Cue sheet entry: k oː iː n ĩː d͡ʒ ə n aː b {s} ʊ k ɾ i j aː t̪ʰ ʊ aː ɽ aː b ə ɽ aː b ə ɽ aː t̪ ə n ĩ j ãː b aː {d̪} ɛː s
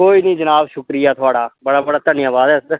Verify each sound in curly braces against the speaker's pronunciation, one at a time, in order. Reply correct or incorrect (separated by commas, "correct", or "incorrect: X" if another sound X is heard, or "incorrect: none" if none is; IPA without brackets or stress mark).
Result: incorrect: ʃ, correct